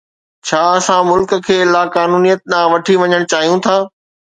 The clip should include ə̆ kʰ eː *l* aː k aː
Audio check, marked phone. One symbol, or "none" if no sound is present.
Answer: l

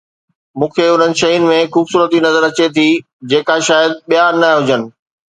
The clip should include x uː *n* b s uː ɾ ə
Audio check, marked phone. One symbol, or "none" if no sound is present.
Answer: none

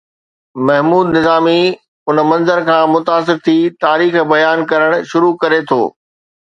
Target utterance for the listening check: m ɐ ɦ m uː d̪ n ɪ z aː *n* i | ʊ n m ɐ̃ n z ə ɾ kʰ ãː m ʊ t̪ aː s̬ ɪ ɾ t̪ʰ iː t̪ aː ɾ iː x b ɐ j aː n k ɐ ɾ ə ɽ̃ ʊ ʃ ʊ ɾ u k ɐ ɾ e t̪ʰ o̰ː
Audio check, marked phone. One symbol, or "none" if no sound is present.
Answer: m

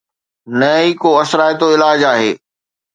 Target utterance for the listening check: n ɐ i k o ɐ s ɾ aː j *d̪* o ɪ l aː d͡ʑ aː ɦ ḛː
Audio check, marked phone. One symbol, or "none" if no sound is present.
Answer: t̪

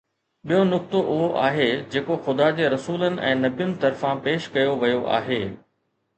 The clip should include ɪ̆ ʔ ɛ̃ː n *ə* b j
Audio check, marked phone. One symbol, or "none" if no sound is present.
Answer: ɐ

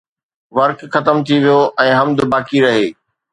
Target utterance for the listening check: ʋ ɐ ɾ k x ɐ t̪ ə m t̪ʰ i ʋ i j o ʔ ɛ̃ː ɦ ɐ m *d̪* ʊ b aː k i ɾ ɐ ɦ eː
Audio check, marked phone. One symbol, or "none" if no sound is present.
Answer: d̪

